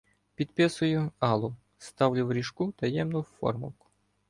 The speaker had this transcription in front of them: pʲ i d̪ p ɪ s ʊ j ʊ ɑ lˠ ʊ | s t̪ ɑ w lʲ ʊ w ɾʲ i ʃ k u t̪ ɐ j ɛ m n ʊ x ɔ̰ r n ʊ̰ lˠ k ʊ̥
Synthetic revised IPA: pʲ i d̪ p ɪ s ʊ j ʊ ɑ lˠ ʊ | s t̪ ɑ w lʲ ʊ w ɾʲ i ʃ k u t̪ ɐ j ɛ m n ʊ f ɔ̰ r m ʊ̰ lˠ k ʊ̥